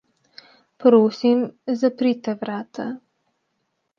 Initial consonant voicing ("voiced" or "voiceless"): voiceless